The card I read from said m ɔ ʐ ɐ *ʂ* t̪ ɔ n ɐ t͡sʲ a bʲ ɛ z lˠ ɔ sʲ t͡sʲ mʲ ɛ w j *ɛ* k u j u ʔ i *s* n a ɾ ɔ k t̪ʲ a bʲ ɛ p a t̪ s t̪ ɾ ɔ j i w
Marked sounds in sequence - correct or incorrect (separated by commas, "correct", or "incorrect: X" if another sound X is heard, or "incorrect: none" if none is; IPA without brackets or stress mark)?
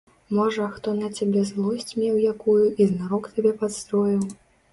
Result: incorrect: x, incorrect: a, incorrect: z